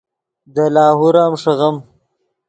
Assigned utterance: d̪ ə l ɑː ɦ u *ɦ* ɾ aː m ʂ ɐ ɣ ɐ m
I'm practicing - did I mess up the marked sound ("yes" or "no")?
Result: yes